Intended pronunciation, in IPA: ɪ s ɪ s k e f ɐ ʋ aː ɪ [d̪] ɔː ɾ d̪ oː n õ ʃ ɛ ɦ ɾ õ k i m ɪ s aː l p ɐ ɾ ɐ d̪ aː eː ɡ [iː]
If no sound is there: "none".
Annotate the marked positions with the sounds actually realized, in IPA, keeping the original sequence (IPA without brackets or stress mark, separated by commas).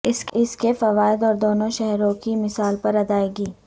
d̪, iː